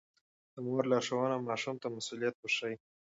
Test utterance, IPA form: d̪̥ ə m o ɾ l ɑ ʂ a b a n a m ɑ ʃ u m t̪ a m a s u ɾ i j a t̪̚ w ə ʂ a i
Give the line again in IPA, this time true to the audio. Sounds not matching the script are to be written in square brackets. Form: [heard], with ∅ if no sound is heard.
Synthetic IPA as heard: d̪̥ ə m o ɾ l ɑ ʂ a [w] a n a m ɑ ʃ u m t̪ a m a s u [l] i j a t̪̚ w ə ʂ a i